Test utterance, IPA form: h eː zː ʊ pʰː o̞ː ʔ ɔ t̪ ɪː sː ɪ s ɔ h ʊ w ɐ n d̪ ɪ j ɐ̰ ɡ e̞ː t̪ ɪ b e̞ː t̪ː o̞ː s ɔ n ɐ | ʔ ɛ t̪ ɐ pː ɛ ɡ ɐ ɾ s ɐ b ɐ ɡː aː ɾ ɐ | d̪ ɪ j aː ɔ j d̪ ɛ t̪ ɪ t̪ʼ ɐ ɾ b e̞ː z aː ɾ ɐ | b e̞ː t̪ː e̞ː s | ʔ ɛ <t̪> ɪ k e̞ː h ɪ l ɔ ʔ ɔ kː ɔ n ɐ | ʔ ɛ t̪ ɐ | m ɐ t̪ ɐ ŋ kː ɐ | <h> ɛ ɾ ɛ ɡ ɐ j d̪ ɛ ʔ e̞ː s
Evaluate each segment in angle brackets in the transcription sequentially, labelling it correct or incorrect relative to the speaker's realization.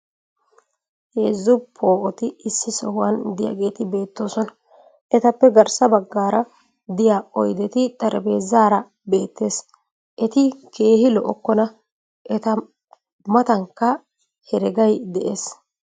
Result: correct, correct

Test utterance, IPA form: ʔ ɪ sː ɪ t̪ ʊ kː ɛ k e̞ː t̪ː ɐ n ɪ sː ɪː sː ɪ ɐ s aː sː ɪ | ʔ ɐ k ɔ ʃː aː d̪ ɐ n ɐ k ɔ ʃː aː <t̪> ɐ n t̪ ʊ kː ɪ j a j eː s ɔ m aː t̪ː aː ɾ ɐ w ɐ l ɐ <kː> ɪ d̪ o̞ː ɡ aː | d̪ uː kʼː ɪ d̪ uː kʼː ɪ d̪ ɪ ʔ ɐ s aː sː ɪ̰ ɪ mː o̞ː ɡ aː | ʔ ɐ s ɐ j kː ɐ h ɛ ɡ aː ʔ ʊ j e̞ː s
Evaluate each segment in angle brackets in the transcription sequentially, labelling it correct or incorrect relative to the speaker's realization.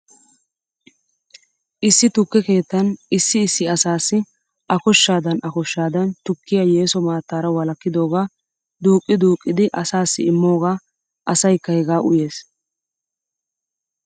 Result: incorrect: d̪, correct

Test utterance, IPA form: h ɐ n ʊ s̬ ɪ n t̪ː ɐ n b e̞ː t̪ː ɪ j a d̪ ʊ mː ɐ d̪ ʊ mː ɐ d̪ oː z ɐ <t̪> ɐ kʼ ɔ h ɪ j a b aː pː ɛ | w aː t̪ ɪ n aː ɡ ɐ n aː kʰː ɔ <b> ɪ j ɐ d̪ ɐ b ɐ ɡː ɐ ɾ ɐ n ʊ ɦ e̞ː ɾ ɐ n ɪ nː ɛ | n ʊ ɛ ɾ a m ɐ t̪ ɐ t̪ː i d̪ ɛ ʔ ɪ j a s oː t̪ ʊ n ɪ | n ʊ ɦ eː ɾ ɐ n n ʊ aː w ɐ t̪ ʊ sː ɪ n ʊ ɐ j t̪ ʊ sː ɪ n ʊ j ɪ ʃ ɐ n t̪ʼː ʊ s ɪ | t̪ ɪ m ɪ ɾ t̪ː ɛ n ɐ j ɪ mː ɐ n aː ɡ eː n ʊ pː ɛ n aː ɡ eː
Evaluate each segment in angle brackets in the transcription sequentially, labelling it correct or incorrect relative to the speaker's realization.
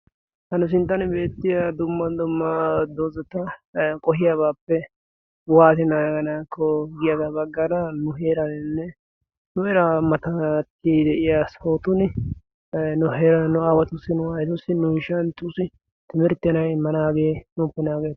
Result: correct, incorrect: ɡ

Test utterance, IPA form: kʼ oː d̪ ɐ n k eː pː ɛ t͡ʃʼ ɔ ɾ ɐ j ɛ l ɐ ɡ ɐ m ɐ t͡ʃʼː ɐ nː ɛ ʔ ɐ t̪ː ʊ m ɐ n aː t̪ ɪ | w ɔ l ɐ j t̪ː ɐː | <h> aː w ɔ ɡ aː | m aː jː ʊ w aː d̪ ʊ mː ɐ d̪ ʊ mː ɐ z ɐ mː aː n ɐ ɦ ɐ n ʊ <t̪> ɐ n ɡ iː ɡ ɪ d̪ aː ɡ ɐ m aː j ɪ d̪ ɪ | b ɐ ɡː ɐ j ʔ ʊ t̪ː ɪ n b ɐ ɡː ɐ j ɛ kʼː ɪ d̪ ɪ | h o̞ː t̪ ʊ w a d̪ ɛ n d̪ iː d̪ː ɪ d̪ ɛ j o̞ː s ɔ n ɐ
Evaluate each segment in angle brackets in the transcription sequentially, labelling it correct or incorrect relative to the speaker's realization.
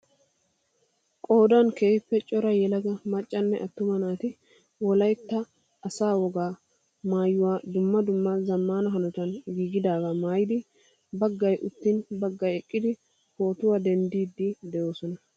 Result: incorrect: s, correct

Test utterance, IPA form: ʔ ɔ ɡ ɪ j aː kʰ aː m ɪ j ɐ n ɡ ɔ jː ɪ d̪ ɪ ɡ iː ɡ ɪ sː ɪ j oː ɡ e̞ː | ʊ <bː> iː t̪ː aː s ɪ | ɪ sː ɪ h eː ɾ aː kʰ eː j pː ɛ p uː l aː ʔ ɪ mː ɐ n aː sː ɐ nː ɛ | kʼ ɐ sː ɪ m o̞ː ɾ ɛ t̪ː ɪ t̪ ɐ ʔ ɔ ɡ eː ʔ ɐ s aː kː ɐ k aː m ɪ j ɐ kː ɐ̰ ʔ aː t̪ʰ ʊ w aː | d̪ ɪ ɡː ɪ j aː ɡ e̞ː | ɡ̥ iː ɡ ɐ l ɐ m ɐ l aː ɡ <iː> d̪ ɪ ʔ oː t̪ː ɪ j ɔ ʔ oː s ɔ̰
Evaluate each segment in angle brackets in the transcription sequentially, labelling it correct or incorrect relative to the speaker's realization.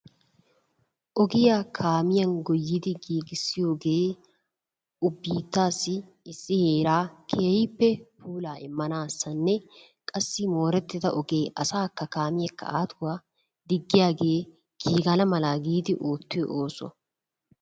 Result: correct, correct

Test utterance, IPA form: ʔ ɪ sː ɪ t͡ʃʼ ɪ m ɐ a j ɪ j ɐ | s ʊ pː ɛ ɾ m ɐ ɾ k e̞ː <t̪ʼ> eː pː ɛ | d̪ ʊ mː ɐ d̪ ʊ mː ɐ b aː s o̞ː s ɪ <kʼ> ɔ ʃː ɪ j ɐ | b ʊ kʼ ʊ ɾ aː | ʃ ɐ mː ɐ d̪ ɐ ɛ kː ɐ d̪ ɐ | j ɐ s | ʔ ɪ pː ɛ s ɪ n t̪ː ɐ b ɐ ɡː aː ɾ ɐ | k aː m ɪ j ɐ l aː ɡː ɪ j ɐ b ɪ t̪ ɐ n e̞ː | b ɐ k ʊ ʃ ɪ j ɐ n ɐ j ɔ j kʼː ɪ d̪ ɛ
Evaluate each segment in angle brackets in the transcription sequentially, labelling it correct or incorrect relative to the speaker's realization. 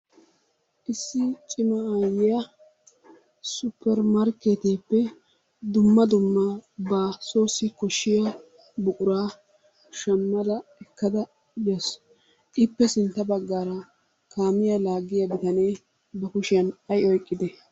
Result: incorrect: t̪, incorrect: k

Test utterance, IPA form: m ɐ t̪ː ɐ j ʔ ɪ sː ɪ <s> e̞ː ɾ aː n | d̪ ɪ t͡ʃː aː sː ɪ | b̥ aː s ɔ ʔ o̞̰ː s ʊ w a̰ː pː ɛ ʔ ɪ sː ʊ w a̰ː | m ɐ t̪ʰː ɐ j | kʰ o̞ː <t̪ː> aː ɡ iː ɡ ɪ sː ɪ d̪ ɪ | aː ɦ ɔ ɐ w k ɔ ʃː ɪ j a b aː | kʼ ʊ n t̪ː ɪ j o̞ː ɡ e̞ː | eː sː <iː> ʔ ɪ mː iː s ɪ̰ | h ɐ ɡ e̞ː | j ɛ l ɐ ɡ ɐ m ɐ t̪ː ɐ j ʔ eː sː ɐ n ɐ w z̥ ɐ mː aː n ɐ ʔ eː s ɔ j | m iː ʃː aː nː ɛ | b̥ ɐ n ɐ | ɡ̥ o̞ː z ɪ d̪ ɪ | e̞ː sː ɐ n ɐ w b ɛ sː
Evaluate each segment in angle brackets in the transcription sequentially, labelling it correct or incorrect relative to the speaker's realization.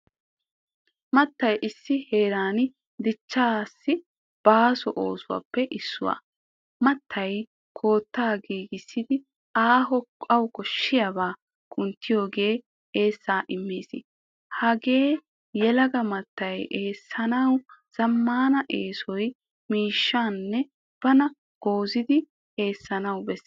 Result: incorrect: h, correct, incorrect: aː

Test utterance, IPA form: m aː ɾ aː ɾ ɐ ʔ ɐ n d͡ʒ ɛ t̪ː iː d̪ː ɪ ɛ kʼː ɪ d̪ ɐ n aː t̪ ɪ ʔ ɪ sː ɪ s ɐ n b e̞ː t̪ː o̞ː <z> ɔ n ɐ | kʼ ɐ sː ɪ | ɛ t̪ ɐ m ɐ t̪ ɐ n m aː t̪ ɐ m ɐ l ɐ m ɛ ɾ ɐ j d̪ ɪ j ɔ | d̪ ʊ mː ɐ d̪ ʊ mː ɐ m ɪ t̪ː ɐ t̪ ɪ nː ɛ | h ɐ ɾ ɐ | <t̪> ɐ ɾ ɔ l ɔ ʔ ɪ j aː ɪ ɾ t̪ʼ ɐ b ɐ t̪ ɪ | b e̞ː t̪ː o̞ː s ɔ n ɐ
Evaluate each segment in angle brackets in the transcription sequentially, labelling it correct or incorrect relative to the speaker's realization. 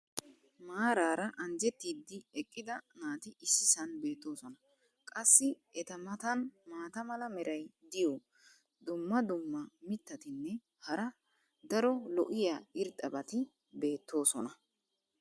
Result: incorrect: s, incorrect: d̪

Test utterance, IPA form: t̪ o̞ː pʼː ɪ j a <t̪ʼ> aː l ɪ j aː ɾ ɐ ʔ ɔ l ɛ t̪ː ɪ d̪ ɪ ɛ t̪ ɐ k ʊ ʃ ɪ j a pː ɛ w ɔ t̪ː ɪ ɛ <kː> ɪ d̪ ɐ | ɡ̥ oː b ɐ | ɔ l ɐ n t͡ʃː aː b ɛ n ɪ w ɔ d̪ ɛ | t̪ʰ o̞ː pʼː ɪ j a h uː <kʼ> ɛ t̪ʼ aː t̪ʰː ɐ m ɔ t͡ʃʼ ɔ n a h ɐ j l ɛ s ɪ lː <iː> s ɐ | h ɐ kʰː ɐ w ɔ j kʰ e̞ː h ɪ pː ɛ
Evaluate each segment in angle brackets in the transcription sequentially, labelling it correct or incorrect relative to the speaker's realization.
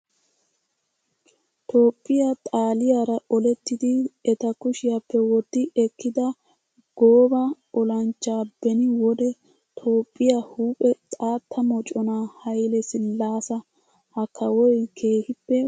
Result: correct, correct, incorrect: pʼ, incorrect: aː

